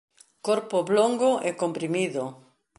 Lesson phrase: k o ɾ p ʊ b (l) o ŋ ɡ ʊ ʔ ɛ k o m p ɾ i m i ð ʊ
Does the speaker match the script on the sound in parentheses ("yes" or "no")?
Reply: yes